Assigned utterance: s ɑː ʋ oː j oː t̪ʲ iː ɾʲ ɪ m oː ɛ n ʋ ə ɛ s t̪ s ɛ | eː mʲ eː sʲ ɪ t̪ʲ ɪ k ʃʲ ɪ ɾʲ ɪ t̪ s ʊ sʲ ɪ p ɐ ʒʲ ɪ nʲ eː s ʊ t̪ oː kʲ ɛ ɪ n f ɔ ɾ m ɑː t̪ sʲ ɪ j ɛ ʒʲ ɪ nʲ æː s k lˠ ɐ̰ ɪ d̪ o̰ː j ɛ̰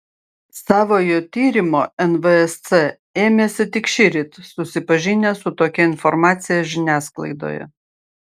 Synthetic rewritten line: s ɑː ʋ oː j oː t̪ʲ iː ɾʲ ɪ m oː ɛ n ʋ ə ɛ s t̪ s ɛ | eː mʲ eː sʲ ɪ t̪ʲ ɪ k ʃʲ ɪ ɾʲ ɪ t̪ s ʊ sʲ ɪ p ɐ ʒʲ ɪ nʲ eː s ʊ t̪ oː kʲ ɛ ɪ n f ɔ ɾ m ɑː t̪ sʲ ɪ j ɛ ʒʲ ɪ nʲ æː s k lˠ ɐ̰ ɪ d̪ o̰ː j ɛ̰